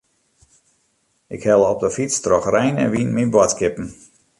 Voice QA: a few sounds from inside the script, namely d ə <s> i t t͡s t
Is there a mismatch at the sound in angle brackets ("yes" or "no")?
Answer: yes